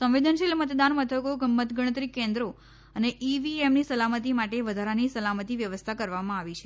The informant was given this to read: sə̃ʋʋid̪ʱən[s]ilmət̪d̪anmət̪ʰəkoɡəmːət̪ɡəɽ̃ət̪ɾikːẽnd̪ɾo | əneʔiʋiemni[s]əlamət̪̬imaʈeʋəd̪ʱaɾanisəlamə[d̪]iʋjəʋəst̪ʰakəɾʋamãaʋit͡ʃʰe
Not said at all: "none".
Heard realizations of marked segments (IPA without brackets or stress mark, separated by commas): ʃ, s, t̪